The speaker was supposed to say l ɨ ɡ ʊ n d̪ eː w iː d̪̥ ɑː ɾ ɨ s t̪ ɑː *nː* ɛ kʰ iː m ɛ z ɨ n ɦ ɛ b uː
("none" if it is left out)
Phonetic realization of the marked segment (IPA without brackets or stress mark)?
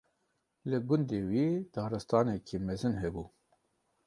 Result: n